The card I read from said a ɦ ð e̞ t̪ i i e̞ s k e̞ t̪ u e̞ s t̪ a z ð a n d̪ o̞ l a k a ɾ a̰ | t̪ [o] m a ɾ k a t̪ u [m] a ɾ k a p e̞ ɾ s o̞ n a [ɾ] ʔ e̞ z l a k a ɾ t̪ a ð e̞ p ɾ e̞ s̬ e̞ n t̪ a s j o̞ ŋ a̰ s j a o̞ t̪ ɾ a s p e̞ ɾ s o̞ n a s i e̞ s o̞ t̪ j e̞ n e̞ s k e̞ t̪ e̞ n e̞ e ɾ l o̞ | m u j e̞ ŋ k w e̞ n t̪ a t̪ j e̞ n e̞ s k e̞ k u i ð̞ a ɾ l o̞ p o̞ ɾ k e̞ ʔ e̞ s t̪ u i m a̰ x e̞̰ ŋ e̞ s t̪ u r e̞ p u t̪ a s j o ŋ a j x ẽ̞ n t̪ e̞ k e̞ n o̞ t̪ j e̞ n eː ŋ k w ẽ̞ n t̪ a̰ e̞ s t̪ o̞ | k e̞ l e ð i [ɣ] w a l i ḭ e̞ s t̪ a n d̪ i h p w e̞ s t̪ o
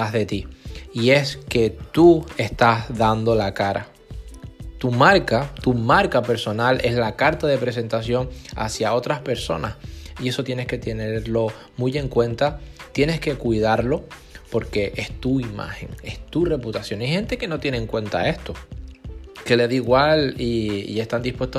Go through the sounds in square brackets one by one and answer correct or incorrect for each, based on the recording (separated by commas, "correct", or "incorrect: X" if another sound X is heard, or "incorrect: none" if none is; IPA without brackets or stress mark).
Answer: incorrect: u, correct, incorrect: l, correct